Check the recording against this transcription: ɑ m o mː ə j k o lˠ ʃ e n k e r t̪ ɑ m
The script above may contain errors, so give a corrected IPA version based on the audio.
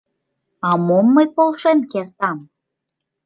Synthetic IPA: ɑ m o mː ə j p o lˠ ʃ e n k e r t̪ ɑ m